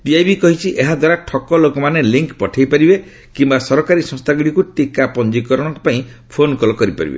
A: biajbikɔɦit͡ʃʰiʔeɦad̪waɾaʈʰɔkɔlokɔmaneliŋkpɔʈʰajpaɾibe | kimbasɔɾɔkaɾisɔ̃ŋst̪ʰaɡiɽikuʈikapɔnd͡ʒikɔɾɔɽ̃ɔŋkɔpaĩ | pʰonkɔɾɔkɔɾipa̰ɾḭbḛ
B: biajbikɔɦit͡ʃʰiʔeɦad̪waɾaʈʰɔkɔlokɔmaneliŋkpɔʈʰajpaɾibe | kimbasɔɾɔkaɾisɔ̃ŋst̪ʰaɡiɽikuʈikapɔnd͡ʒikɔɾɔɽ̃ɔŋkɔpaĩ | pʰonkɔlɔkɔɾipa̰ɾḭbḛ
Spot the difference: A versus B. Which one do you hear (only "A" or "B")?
B